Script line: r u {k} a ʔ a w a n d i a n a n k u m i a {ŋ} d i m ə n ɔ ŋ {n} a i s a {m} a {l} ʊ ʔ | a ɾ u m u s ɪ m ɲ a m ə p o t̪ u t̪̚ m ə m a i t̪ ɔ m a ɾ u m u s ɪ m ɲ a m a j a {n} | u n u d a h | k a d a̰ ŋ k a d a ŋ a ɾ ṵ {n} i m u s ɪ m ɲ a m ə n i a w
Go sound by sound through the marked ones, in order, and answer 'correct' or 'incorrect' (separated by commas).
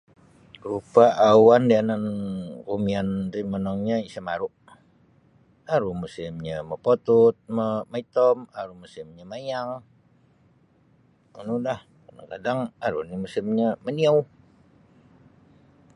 incorrect, incorrect, incorrect, correct, incorrect, incorrect, correct